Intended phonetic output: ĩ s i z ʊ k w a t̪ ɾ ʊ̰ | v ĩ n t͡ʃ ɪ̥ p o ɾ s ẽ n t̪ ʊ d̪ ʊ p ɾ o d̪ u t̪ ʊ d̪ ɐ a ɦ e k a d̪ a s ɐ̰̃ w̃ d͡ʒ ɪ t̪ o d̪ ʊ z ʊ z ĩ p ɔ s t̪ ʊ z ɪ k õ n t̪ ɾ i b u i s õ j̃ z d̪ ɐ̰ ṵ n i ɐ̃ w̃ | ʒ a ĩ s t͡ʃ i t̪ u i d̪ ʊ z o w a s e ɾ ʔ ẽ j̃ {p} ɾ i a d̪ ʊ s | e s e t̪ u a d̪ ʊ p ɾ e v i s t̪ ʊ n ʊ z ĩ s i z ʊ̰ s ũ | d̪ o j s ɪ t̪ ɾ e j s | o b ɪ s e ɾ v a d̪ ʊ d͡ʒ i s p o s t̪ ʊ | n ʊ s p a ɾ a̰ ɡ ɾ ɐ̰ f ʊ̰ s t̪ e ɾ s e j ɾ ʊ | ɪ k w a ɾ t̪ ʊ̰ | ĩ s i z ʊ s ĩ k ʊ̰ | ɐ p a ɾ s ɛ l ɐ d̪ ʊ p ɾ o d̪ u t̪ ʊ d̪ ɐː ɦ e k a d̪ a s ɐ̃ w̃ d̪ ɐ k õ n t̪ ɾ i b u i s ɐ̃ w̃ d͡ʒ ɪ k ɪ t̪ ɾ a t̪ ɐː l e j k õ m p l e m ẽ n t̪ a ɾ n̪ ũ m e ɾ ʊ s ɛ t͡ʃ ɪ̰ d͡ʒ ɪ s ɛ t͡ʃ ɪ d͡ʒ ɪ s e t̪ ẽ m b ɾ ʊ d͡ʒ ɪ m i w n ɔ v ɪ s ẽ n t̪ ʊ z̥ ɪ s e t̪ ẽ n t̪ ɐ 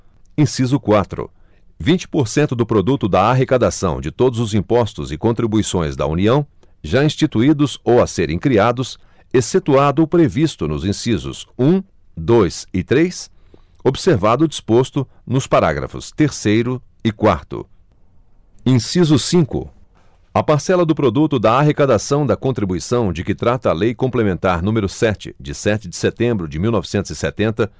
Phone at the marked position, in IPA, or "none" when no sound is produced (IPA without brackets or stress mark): k